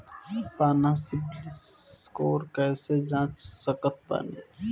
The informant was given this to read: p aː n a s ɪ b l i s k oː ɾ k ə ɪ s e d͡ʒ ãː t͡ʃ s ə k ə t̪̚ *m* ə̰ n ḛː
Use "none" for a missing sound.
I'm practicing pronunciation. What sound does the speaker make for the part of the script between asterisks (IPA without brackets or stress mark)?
b